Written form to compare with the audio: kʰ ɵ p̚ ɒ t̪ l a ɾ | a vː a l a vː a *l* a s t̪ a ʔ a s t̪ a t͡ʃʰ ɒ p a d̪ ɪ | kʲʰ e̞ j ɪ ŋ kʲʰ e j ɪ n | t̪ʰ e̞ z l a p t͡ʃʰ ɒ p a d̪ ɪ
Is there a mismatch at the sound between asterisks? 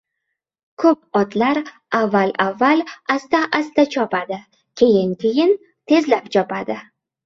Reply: no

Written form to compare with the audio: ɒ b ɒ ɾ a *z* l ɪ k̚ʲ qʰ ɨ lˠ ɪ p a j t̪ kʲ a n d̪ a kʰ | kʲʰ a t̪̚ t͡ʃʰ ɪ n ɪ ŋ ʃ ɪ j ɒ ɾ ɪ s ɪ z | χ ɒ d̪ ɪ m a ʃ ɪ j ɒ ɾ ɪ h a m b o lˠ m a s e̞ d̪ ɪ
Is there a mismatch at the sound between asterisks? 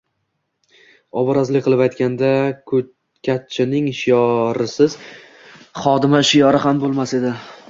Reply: no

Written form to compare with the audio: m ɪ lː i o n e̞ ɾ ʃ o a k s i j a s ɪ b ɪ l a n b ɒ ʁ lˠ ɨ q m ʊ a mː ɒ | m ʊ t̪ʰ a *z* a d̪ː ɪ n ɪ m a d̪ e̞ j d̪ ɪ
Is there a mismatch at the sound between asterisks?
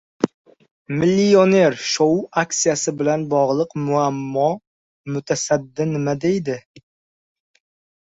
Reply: yes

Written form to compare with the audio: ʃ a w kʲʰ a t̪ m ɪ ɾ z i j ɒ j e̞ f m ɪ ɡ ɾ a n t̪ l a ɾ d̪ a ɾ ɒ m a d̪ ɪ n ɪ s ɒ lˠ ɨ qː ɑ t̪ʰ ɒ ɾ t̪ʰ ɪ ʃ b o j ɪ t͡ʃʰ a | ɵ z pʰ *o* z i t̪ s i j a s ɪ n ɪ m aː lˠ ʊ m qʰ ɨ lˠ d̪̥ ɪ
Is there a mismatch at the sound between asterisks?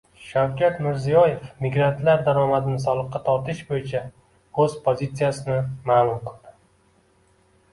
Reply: no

